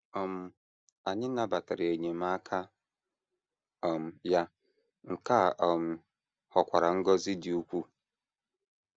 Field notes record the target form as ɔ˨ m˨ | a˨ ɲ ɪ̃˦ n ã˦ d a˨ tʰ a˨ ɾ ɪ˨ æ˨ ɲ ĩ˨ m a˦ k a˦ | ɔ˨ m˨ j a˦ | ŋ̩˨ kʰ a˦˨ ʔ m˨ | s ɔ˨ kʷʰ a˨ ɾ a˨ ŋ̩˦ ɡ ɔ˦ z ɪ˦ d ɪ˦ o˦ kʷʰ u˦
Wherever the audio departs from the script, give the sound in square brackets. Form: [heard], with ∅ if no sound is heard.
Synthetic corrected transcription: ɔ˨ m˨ | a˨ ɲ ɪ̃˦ n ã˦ [b] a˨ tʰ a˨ ɾ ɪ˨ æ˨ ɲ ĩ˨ m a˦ [kʰ] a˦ | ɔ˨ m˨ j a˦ | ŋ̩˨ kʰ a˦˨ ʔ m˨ | [h] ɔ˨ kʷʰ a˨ ɾ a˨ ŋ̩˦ ɡ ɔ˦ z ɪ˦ d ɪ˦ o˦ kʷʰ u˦